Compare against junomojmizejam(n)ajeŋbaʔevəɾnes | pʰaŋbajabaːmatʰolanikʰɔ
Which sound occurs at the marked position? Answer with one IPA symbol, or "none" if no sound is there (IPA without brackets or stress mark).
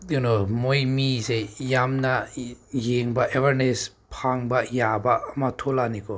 n